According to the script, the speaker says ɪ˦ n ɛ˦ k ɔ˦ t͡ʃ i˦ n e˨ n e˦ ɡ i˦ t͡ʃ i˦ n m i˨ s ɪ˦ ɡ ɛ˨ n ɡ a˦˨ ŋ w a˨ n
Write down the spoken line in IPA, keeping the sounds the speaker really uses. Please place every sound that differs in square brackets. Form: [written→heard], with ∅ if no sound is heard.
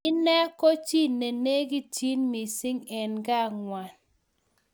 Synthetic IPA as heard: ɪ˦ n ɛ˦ k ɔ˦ t͡ʃ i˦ n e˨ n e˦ ɡ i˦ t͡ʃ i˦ n m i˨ s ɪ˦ [ɡ→ŋ] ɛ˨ n ɡ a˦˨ ŋ w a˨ n